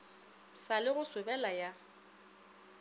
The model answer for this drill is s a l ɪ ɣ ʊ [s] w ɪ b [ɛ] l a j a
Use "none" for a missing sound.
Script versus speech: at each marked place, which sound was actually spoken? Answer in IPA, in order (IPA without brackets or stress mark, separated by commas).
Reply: s, ɛ